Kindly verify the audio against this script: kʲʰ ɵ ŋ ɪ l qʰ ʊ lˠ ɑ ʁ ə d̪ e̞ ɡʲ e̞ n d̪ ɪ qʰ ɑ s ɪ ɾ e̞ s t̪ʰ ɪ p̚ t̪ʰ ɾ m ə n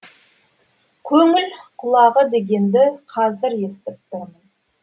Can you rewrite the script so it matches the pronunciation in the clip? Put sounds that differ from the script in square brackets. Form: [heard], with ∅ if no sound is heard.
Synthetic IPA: kʲʰ ɵ ŋ ɪ l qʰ ʊ lˠ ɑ ʁ ə d̪ e̞ ɡʲ e̞ n d̪ ɪ qʰ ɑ [z] ɪ ɾ e̞ s [t̪] ɪ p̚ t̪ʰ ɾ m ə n